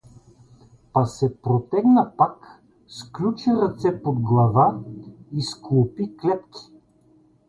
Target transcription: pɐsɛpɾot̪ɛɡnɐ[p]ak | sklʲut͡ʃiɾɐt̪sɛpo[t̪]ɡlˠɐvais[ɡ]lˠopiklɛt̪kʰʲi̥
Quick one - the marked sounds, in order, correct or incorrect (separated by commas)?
correct, incorrect, incorrect